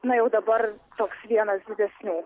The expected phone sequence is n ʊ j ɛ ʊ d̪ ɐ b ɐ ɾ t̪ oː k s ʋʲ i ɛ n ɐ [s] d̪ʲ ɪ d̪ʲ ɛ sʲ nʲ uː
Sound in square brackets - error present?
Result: no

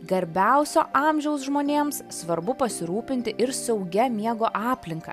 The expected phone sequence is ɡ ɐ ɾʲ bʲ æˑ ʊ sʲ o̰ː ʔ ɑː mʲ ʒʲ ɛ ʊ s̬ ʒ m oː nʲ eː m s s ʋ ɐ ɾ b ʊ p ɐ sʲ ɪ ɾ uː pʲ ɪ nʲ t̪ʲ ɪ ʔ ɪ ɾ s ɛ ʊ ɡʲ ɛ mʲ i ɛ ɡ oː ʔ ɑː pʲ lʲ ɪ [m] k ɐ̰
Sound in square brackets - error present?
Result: yes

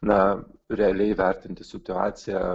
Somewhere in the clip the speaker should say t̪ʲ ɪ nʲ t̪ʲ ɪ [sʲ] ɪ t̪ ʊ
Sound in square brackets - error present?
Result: no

